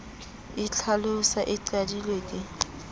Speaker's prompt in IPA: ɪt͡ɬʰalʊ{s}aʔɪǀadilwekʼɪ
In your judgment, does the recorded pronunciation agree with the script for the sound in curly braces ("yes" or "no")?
yes